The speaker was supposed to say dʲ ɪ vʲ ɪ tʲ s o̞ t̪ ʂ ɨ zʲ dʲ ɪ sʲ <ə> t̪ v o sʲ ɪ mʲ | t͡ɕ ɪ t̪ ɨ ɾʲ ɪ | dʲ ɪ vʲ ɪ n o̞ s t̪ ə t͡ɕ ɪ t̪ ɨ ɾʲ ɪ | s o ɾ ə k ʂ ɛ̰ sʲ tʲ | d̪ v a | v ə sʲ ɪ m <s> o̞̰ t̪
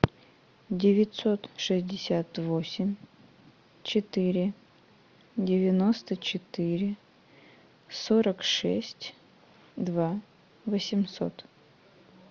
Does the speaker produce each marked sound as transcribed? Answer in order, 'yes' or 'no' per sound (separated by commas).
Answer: no, yes